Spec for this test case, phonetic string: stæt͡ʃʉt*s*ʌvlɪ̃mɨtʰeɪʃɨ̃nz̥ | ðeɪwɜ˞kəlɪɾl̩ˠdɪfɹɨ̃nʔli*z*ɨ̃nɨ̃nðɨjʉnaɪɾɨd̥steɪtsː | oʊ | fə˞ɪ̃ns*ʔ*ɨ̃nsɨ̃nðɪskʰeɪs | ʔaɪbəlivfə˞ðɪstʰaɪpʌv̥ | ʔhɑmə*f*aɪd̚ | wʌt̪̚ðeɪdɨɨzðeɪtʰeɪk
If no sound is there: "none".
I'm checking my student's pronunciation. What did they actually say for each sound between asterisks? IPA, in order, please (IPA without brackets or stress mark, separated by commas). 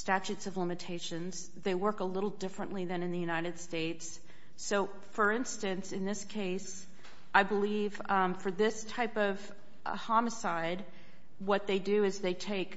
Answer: s, ð, t, s